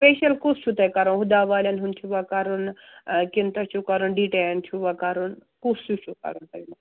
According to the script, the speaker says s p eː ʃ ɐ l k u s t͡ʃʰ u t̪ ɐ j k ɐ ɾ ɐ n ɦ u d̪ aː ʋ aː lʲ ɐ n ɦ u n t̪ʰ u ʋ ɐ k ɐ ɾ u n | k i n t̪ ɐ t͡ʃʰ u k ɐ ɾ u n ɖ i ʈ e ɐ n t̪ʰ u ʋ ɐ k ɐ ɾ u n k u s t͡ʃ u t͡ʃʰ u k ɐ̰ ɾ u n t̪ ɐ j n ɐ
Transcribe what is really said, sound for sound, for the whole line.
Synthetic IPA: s p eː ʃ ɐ l k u s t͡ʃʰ u t̪ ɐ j k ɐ ɾ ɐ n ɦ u d̪ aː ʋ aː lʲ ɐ n ɦ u n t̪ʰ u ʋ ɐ k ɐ ɾ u n | k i n t̪ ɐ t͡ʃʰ u k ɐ ɾ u n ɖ i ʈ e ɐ n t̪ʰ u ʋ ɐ k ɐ ɾ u n k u s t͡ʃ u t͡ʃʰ u k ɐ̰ ɾ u n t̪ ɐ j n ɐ